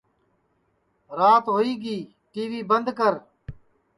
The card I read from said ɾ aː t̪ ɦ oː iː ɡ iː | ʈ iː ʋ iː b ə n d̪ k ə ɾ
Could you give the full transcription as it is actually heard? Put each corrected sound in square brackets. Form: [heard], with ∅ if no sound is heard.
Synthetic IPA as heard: ɾ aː t̪ ɦ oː iː ɡ iː | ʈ iː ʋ iː b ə n d̪ k ə ɾ